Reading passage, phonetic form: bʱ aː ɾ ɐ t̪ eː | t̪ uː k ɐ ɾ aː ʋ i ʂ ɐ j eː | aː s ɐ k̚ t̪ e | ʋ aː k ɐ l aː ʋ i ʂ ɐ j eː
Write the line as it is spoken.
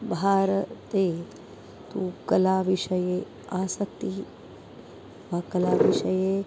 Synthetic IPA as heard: bʱ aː ɾ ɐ t̪ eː | t̪ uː k ɐ l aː ʋ i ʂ ɐ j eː | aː s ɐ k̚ t̪ i | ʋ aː k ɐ l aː ʋ i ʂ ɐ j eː